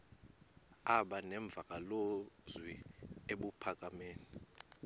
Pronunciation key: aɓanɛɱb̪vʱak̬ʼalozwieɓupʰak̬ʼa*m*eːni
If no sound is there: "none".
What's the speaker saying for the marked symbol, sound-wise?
m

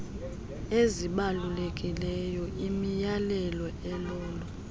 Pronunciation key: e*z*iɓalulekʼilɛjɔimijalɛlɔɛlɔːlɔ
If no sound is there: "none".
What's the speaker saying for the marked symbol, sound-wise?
z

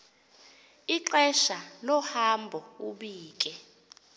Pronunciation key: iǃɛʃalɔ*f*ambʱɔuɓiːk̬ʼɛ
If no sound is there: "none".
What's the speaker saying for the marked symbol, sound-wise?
h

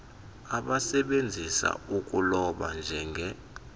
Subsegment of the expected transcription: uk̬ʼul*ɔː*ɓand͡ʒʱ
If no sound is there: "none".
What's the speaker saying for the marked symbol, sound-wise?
ɔ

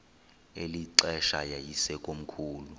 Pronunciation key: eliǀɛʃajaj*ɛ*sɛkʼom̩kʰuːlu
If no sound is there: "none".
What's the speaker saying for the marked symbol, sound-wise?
i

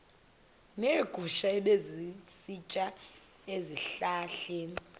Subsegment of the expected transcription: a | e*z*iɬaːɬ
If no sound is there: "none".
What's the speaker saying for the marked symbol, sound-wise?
z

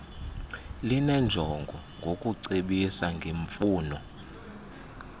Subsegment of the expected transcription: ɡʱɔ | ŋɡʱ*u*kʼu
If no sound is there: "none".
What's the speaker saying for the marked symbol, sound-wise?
o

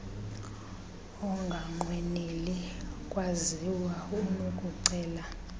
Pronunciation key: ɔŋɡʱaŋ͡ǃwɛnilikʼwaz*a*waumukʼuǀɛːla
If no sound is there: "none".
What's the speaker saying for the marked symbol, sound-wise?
i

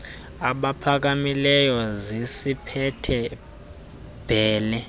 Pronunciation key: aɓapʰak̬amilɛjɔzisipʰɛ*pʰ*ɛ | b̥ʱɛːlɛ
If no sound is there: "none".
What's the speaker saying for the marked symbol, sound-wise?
tʰ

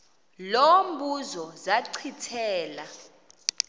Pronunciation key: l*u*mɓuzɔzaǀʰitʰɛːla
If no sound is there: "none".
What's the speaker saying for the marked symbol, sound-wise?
o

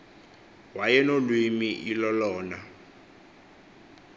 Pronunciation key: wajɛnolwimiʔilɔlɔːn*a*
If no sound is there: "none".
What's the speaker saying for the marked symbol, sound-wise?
a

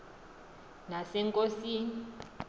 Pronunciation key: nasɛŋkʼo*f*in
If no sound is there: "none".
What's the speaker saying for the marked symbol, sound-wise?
s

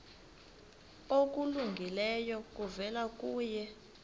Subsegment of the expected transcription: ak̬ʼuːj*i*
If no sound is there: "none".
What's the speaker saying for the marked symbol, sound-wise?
ɛ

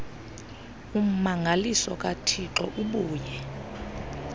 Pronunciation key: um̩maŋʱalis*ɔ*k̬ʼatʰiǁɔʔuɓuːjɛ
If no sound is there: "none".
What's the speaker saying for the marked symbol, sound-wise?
ɔ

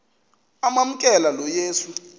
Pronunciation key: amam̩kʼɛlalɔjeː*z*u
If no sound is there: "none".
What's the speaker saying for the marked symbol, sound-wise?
s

